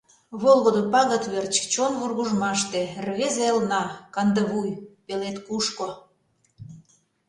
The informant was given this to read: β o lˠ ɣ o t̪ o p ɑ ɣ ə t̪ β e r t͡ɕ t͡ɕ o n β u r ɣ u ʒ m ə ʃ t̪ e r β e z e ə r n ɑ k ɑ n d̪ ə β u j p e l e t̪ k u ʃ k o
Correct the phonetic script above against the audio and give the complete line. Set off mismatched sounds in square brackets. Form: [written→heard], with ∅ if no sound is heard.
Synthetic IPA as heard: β o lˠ ɣ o [t̪→d̪] o p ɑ ɣ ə t̪ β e r t͡ɕ t͡ɕ o n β u r ɣ u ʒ m [ə→ɑ] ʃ t̪ e r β e z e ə [r→l] n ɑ k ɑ n d̪ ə β u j p e l e t̪ k u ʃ k o

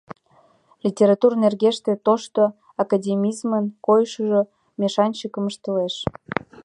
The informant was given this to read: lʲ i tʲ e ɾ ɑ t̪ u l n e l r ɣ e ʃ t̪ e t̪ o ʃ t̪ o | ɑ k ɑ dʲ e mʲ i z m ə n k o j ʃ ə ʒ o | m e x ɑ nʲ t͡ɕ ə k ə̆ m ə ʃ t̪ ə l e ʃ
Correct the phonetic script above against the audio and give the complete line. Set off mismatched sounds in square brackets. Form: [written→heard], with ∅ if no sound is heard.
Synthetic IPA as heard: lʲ i tʲ e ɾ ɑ t̪ u [l→r] n e [l→∅] r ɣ e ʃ t̪ e t̪ o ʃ t̪ o | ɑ k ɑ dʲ e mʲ i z m ə n k o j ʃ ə ʒ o | m e [x→ʃ] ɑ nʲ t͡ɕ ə k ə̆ m ə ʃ t̪ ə l e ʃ

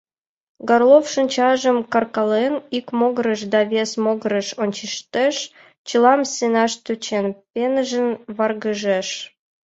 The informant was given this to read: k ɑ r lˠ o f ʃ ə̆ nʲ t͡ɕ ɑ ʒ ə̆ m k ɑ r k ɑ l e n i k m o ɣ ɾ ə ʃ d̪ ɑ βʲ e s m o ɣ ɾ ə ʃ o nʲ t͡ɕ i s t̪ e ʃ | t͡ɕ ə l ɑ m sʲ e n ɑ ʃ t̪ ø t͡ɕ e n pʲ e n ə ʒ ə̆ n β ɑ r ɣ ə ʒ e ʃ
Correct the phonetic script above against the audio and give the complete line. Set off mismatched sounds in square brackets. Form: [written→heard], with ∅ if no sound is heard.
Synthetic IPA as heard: [k→ɡ] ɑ r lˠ o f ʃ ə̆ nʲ t͡ɕ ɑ ʒ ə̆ m k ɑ r k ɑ l e n i k m o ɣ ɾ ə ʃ d̪ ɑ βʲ e s m o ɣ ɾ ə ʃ o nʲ t͡ɕ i [s→ʃ] t̪ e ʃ | t͡ɕ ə l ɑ m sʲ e n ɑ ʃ t̪ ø t͡ɕ e n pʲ e n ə ʒ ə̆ n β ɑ r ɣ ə ʒ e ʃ

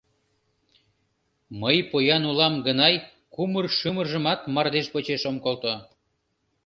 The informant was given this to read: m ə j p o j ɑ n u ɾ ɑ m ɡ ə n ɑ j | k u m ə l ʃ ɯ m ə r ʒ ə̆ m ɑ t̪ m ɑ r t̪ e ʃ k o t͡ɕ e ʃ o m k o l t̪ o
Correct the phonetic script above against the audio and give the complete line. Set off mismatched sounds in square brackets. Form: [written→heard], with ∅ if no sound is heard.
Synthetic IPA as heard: m ə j p o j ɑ n u [ɾ→l] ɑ m ɡ ə n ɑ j | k u m ə [l→r] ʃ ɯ m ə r ʒ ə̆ m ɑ t̪ m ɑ r [t̪→d̪] e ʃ [k→p] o t͡ɕ e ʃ o m k o l t̪ o

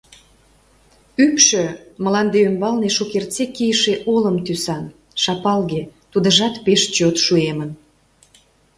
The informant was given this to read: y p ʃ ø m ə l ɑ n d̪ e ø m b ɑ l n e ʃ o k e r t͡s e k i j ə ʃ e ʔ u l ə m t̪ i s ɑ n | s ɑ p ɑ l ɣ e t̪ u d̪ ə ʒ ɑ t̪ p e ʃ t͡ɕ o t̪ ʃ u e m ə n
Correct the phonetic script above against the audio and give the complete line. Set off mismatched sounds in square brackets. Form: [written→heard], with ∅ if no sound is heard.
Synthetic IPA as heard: y p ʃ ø m ə l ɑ n d̪ e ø m b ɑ l n e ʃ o k e r t͡s e k i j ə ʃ e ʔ [u→o] l ə m t̪ [i→y] s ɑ n | [s→ʃ] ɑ p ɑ l ɣ e t̪ u d̪ ə ʒ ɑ t̪ p e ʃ t͡ɕ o t̪ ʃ u e m ə n

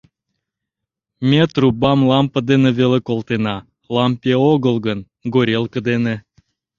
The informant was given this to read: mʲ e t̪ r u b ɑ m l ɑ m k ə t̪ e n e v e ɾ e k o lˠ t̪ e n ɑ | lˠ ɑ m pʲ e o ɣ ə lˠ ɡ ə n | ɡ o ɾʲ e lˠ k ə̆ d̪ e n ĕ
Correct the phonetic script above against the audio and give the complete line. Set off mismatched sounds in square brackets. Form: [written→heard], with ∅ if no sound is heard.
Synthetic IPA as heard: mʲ e t̪ r u b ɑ m l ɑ m [k→p] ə [t̪→d̪] e n e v e [ɾ→l] e k o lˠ t̪ e n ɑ | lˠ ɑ m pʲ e o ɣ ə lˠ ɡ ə n | ɡ o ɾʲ e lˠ k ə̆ d̪ e n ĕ

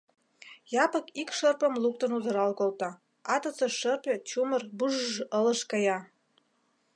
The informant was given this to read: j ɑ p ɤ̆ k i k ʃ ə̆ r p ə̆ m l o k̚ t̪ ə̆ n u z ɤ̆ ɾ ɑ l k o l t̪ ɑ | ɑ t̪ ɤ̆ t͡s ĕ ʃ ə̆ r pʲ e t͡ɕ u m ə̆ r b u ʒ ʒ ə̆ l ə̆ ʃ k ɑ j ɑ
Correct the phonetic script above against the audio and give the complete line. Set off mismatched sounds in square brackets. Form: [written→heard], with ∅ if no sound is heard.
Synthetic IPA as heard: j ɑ p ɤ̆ k i k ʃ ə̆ r p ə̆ m l [o→u] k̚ t̪ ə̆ n u z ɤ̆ ɾ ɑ l k o l t̪ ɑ | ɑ t̪ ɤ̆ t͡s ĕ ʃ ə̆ r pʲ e t͡ɕ u m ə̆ r b u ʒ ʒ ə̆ l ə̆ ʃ k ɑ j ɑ

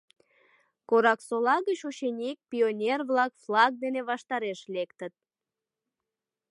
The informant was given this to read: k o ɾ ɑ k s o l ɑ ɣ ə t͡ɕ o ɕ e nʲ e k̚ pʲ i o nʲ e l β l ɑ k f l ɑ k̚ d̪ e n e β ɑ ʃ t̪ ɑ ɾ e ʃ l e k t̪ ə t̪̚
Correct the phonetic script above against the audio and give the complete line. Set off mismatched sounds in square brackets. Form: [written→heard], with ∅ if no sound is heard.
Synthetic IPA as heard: k o ɾ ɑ k s o l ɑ ɣ ə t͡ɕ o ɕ e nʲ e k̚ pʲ i o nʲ e [l→r] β l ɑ k f l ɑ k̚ d̪ e n e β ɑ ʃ t̪ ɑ ɾ e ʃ l e k t̪ ə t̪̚

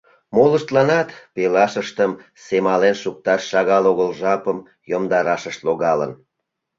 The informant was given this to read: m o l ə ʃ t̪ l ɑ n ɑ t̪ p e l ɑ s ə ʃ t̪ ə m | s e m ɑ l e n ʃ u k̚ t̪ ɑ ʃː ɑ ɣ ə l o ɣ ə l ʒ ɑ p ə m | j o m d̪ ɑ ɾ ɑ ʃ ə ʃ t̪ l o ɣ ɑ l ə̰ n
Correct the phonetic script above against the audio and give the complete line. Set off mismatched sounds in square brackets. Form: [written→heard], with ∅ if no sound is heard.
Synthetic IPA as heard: m o l ə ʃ t̪ l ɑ n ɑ t̪ p e l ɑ [s→ʃ] ə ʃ t̪ ə m | s e m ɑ l e n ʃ u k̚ t̪ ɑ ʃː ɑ ɣ [ə→ɑ] l o ɣ ə l ʒ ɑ p ə m | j o m d̪ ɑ ɾ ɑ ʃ ə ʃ t̪ l o ɣ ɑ l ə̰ n

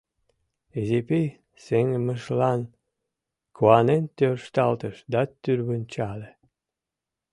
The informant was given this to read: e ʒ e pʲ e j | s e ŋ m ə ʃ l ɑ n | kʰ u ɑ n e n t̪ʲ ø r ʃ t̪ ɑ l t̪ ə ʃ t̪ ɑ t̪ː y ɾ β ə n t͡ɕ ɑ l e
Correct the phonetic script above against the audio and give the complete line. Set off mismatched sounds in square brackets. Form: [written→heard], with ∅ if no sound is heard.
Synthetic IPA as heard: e [ʒ→z] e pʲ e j | s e ŋ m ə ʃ l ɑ n | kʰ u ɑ n e n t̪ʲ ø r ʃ t̪ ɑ l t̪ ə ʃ [t̪→d̪] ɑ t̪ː y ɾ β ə n t͡ɕ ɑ l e

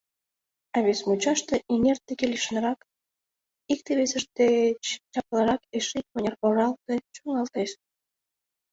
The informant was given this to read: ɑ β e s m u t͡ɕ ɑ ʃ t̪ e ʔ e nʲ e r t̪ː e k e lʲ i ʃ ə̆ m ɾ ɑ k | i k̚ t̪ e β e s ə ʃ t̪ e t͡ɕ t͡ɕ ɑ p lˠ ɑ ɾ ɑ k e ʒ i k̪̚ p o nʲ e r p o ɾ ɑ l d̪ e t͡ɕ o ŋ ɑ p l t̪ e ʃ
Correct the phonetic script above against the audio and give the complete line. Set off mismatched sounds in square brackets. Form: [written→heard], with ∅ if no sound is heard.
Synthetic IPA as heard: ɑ β e s m u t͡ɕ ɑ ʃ t̪ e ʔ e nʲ e r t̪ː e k e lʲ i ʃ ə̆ [m→n] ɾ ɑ k | i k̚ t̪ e β e s ə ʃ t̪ e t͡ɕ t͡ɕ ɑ p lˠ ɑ ɾ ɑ k e [ʒ→ʃ] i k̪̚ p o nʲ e r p o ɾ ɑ l [d̪→t̪] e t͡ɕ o ŋ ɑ [p→∅] l t̪ e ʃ

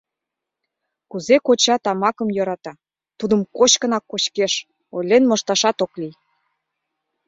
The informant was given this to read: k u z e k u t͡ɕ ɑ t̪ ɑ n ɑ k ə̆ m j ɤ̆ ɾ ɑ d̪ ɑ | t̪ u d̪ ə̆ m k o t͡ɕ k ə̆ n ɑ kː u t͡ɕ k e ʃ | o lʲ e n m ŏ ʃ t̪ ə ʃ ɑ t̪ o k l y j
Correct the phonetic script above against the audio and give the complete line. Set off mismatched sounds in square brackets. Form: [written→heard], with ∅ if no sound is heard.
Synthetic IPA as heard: k u z e k [u→o] t͡ɕ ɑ t̪ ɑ [n→m] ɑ k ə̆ m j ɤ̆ ɾ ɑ [d̪→t̪] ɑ | t̪ u d̪ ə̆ m k o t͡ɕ k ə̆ n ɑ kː [u→o] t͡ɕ k e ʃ | o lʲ e n m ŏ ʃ t̪ [ə→ɑ] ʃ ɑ t̪ o k l [y→i] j

